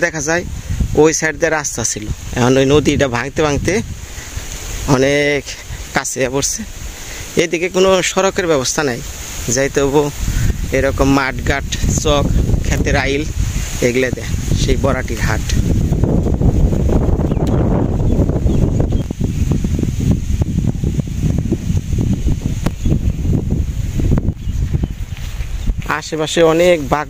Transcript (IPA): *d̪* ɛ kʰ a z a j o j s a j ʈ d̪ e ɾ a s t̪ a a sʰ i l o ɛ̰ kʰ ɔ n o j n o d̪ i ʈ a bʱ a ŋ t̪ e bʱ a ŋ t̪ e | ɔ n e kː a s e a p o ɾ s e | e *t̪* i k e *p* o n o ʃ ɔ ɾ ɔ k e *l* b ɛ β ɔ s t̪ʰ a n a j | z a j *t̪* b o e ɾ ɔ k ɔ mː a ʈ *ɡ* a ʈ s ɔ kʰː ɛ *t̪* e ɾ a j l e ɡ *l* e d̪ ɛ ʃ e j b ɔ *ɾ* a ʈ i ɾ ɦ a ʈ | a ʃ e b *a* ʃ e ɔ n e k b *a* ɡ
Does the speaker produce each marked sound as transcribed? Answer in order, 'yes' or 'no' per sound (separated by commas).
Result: yes, no, no, no, yes, yes, yes, yes, yes, yes, yes